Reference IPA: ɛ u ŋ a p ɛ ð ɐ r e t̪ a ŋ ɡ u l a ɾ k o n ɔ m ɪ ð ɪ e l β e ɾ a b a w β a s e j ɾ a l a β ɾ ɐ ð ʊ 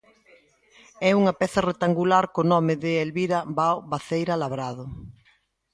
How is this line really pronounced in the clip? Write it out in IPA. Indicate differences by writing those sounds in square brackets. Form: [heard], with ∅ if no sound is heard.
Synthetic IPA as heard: ɛ u ŋ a p ɛ [θ] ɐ r e t̪ a ŋ ɡ u l a ɾ k o n ɔ m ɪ ð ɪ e l β [i] ɾ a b a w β a [θ] e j ɾ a l a β ɾ [a] ð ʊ